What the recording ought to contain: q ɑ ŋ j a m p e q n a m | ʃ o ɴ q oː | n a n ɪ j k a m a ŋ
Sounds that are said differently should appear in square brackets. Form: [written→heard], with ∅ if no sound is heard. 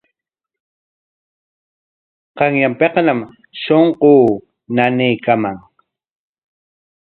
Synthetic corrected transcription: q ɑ ŋ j a m p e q n a m | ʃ o ɴ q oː | n a n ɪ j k a m a ŋ

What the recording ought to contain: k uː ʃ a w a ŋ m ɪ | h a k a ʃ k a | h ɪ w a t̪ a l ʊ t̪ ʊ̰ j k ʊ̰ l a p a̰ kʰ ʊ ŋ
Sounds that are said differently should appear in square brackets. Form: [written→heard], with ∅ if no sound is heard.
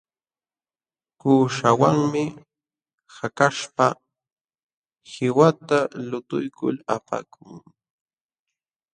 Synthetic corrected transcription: k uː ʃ a w a ŋ m ɪ | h a k a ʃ [k→p] a | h ɪ w a t̪ a l ʊ t̪ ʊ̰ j k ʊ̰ l a p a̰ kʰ ʊ ŋ

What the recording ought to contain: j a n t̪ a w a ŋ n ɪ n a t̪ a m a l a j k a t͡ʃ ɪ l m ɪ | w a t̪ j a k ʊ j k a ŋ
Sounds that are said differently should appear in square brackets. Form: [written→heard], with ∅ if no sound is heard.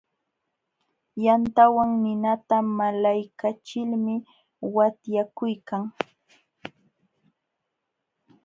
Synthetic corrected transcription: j a n t̪ a w a ŋ n ɪ n a t̪ a m a l a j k a t͡ʃ ɪ l m ɪ | w a t̪ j a k ʊ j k a ŋ

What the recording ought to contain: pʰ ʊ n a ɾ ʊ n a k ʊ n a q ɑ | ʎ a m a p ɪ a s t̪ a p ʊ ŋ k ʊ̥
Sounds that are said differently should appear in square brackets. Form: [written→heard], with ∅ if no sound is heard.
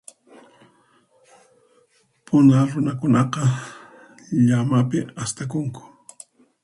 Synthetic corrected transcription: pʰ ʊ n a ɾ ʊ n a k ʊ n [a→ɑ] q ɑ | ʎ a m a p ɪ a s t̪ a [p→k] ʊ ŋ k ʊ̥

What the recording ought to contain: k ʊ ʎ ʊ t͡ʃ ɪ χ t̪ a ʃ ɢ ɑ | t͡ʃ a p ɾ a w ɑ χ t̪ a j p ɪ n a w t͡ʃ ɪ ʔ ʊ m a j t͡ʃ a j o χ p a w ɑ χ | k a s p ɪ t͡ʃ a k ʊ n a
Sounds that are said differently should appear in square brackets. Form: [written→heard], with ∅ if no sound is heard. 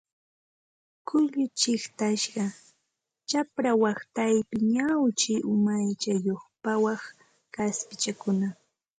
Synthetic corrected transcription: k ʊ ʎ ʊ t͡ʃ ɪ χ t̪ a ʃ ɢ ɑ | t͡ʃ a p ɾ a w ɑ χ t̪ a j p ɪ [n→ɲ] a w t͡ʃ ɪ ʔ ʊ m a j t͡ʃ a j o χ p a w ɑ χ | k a s p ɪ t͡ʃ a k ʊ n a

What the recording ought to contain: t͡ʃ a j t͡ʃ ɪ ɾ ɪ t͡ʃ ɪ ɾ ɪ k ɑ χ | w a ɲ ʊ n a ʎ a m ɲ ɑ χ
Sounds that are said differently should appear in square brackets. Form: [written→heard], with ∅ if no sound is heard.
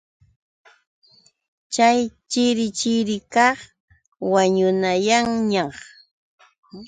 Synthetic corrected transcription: t͡ʃ a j t͡ʃ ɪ ɾ ɪ t͡ʃ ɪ ɾ ɪ k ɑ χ | w a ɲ ʊ n a [ʎ→j] a [m→ŋ] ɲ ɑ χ

